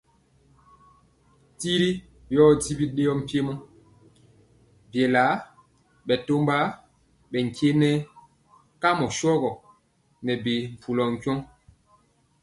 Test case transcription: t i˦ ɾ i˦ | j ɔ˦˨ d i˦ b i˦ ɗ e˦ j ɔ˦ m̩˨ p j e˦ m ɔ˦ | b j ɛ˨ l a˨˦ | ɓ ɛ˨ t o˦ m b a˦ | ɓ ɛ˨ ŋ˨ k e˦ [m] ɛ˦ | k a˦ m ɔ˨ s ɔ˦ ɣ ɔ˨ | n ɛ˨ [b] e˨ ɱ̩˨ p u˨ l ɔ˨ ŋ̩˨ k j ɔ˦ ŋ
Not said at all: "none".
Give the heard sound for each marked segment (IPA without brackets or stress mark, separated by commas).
n, b